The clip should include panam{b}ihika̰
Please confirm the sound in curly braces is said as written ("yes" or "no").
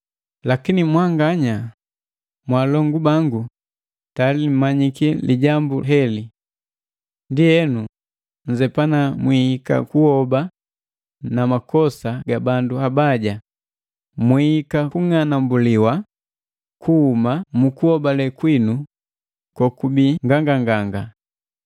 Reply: no